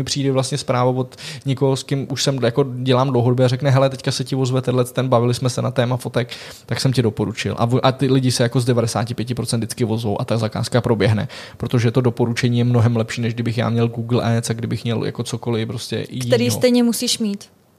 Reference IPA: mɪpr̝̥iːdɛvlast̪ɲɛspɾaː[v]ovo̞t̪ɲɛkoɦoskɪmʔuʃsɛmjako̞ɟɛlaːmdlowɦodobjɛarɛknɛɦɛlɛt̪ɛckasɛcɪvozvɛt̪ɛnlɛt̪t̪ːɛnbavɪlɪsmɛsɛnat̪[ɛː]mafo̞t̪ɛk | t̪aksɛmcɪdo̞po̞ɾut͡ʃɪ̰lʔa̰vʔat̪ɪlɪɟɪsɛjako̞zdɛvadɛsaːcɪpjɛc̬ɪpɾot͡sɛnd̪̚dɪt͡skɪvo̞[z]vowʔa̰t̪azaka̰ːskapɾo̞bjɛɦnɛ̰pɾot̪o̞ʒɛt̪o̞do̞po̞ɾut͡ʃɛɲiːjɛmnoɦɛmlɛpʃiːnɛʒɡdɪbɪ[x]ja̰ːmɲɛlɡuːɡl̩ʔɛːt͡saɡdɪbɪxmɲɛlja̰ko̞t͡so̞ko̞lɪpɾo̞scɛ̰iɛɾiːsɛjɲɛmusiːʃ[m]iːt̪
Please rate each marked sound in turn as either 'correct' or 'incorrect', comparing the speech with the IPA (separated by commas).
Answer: correct, correct, correct, correct, correct